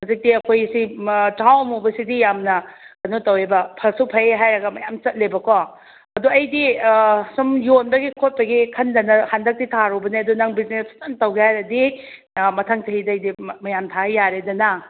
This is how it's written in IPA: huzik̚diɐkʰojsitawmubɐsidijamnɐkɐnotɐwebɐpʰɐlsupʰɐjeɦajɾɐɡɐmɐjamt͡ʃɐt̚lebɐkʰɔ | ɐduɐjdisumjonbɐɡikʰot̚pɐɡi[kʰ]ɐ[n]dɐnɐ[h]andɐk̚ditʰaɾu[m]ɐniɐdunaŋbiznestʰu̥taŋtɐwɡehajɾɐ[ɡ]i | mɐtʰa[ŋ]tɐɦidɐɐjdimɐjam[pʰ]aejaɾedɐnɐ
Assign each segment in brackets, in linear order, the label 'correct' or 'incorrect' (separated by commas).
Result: correct, correct, correct, incorrect, incorrect, correct, incorrect